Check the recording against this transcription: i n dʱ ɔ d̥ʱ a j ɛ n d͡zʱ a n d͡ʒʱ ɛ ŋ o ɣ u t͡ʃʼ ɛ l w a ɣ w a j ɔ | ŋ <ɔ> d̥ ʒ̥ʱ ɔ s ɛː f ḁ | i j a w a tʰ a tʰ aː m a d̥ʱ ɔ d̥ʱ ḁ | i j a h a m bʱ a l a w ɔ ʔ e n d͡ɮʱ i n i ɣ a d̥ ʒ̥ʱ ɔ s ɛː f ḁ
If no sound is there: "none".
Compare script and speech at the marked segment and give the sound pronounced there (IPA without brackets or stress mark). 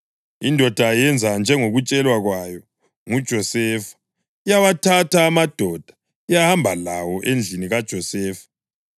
u